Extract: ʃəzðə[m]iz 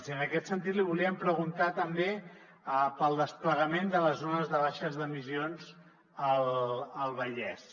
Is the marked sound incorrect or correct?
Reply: correct